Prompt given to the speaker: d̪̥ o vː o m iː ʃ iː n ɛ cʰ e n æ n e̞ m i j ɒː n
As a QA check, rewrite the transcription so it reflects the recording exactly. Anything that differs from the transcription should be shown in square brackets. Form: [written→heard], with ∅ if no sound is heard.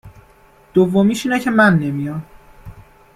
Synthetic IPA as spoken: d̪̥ o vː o m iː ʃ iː n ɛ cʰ e [n→m] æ [n→nː] e̞ m i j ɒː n